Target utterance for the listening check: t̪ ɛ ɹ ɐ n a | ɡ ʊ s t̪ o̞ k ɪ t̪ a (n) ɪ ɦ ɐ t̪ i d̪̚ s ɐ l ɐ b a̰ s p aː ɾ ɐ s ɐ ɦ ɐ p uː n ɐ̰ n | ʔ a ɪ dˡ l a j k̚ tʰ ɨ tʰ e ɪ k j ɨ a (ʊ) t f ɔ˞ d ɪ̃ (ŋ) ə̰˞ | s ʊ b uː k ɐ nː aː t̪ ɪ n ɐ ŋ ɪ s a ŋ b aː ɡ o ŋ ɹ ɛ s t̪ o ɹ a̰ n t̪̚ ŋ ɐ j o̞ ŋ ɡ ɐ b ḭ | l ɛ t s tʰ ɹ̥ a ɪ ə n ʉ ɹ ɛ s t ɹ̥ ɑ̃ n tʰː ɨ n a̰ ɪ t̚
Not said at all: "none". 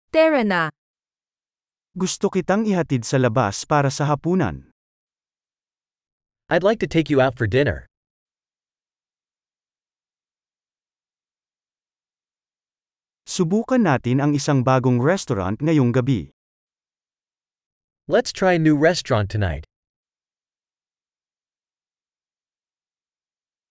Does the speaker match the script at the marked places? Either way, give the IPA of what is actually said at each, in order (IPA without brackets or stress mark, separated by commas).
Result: ŋ, ʊ, n